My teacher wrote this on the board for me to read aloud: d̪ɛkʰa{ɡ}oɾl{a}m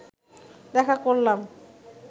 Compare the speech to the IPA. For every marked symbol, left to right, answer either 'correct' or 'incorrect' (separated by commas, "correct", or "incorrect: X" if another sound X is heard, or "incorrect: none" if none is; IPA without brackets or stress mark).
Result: incorrect: k, correct